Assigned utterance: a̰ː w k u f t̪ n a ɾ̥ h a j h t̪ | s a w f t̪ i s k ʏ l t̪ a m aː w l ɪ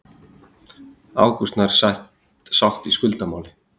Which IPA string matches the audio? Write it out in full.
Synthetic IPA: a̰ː w k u s t̪ n a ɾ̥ s a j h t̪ | s a w h t̪ i s k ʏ l t̪ a m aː w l ɪ